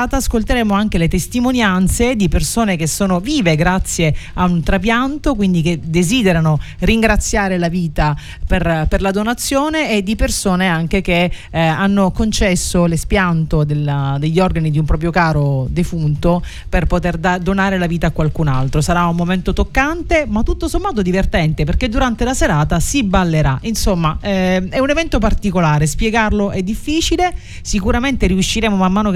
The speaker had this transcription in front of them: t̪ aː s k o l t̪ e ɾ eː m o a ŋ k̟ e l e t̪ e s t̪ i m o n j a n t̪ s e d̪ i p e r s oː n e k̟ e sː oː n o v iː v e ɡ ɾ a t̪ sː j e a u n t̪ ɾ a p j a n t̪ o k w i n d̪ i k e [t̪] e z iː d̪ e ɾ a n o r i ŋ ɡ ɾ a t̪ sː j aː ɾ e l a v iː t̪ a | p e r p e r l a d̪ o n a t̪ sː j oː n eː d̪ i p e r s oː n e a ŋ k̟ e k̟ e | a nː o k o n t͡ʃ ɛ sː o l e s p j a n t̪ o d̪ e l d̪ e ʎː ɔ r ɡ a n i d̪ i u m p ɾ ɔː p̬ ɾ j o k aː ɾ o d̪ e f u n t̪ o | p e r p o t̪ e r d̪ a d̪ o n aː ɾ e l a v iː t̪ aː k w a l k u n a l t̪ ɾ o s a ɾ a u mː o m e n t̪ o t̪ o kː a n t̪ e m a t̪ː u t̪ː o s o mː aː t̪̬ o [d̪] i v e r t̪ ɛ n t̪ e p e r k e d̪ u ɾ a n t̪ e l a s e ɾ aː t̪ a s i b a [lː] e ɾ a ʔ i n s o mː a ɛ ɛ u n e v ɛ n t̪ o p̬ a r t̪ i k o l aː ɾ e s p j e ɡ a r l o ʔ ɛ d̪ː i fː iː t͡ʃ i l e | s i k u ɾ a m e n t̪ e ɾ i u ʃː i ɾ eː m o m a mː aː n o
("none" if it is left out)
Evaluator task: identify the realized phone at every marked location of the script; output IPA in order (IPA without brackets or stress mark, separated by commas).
d̪, d̪, lː